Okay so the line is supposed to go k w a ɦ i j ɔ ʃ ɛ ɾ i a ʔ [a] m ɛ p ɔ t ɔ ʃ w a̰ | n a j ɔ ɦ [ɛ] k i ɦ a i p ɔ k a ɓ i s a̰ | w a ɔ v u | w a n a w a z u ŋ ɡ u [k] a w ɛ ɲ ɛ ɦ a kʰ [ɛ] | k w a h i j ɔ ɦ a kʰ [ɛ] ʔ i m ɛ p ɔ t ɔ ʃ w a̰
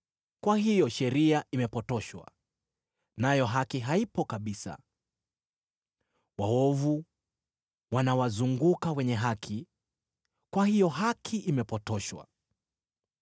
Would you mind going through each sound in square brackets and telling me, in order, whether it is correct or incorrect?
incorrect, incorrect, correct, incorrect, incorrect

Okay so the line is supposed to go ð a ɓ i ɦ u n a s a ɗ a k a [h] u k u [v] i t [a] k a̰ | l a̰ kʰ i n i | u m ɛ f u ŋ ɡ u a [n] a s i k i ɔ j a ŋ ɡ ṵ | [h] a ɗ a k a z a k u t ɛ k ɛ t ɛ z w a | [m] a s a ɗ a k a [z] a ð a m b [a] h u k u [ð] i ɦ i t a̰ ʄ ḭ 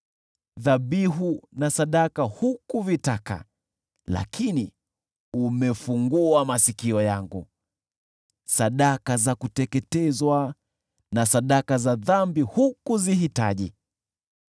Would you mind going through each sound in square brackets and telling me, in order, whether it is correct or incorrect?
correct, correct, correct, incorrect, incorrect, incorrect, correct, incorrect, incorrect

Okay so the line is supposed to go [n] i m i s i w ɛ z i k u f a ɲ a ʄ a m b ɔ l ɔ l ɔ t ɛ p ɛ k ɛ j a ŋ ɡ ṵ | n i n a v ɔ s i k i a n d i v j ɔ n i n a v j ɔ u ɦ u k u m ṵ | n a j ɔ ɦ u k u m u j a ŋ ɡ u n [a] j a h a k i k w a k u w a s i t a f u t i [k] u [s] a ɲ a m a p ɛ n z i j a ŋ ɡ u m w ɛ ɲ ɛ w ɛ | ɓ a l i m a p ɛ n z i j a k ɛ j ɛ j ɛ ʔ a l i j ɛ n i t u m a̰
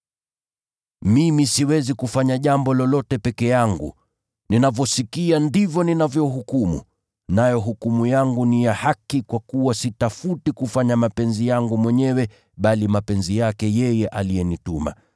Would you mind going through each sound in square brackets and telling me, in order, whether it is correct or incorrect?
incorrect, incorrect, correct, incorrect

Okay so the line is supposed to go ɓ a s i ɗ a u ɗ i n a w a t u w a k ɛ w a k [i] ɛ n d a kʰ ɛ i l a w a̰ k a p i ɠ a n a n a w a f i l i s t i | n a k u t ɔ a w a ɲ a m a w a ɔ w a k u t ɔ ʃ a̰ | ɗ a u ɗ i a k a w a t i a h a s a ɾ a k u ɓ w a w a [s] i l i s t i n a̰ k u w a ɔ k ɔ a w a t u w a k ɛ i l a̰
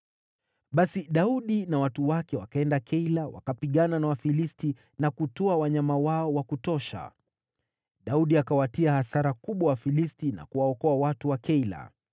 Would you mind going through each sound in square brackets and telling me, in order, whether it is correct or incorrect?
incorrect, incorrect

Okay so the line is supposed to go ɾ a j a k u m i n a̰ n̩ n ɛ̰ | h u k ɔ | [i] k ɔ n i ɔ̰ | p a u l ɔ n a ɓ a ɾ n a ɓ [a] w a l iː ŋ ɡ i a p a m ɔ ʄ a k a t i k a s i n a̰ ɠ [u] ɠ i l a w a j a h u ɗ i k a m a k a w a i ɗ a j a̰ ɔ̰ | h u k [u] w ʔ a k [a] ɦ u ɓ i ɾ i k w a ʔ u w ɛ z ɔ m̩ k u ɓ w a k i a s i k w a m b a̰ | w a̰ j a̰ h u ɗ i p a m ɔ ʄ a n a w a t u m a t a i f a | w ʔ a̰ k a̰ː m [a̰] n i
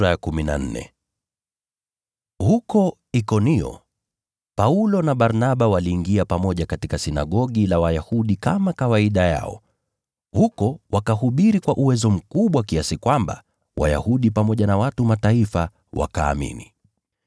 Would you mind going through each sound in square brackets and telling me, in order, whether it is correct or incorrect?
correct, correct, incorrect, incorrect, correct, incorrect

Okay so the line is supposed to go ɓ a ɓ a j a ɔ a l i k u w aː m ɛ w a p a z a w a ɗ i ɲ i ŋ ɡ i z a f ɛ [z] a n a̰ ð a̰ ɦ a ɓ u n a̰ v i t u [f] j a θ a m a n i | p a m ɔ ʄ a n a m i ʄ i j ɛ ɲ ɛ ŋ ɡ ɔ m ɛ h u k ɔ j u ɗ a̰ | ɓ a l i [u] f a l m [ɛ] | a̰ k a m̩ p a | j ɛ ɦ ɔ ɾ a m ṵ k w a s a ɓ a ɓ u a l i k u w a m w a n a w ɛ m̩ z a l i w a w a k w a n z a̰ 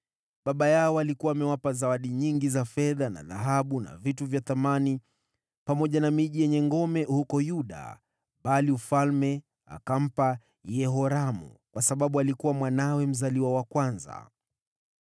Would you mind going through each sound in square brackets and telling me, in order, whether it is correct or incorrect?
incorrect, incorrect, correct, correct

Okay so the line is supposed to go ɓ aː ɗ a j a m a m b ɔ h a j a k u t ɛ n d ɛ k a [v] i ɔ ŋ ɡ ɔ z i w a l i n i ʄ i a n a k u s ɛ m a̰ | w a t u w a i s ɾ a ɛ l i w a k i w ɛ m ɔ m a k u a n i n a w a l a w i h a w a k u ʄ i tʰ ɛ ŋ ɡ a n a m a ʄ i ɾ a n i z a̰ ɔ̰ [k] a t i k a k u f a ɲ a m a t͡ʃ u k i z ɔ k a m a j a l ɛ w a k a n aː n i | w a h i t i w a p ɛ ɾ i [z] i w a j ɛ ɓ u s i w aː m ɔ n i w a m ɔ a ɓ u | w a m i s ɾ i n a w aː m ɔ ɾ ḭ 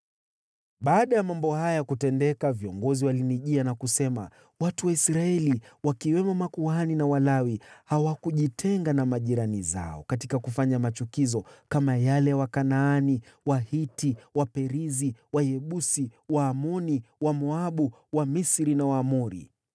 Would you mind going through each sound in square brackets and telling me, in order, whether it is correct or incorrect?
correct, correct, correct

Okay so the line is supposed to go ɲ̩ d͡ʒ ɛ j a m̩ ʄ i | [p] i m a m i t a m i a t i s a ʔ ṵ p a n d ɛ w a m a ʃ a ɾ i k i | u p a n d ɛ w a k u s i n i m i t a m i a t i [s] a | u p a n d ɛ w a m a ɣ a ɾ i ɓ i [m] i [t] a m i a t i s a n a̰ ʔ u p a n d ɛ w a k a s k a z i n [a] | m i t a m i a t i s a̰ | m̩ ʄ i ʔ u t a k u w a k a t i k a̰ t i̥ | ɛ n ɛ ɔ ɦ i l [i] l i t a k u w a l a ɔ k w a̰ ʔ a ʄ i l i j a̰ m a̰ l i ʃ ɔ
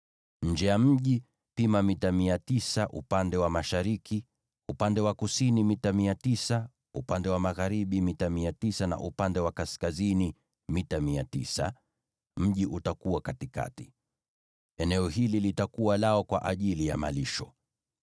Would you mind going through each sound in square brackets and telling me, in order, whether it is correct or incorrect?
correct, correct, correct, correct, incorrect, correct

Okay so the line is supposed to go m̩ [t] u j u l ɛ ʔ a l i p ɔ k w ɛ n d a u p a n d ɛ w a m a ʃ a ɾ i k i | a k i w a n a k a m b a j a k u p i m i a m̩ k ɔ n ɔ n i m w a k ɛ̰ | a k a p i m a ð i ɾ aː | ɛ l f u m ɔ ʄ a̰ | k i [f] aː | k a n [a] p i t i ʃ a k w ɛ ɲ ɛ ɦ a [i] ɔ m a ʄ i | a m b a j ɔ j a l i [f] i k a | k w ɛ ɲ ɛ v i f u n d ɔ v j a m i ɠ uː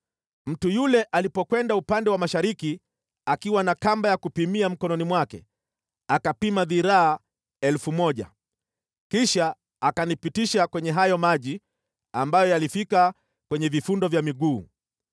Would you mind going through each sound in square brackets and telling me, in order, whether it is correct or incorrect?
correct, incorrect, incorrect, incorrect, correct

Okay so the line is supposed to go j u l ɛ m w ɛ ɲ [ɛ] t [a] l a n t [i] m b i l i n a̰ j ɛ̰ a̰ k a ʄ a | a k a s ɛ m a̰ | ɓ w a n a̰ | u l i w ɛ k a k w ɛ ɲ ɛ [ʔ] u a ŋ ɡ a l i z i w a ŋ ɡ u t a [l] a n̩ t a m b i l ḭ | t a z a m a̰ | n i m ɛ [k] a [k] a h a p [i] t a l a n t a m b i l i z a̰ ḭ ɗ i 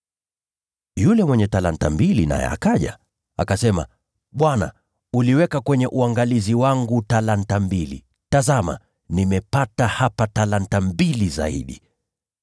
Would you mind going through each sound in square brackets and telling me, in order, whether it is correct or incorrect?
correct, correct, incorrect, correct, correct, incorrect, incorrect, incorrect

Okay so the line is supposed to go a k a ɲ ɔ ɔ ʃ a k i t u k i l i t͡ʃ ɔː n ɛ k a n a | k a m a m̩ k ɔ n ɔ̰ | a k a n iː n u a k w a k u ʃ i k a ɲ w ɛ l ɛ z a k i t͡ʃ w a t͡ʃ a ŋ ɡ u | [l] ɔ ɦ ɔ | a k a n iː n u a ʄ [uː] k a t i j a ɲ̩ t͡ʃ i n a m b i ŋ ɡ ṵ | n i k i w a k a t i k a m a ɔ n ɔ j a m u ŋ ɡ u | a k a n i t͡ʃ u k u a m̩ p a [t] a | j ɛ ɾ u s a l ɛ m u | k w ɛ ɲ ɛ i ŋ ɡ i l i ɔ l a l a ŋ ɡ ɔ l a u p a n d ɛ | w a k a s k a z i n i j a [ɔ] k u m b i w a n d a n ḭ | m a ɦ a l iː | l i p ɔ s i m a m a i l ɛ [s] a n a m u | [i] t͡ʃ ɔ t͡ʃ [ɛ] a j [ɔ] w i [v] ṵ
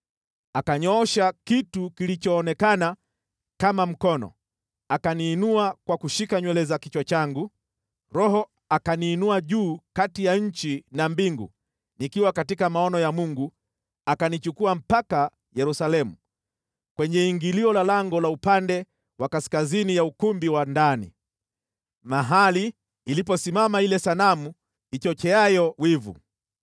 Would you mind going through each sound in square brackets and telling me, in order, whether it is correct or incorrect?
incorrect, correct, incorrect, incorrect, correct, correct, correct, correct, correct

